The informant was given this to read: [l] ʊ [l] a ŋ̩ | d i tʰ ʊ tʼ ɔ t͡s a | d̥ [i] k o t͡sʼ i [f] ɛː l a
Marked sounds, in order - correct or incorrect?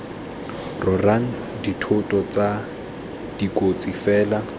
incorrect: r, incorrect: r, correct, correct

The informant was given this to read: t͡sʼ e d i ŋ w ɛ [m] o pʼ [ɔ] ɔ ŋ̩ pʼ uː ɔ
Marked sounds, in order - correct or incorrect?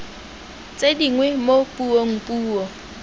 correct, incorrect: u

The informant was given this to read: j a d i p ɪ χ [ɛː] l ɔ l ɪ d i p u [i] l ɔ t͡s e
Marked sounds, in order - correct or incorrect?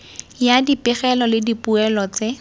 incorrect: ɛ, incorrect: ɛ

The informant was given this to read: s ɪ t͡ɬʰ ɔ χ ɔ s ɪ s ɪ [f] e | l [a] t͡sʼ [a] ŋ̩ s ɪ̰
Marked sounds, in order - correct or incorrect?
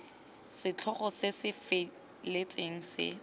correct, incorrect: e, incorrect: e

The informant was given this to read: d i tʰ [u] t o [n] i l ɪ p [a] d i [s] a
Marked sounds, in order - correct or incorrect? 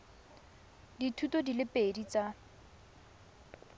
correct, incorrect: d, incorrect: e, incorrect: t͡s

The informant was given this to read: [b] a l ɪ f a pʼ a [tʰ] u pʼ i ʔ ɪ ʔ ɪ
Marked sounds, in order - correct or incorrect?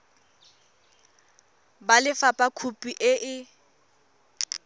correct, incorrect: kʰ

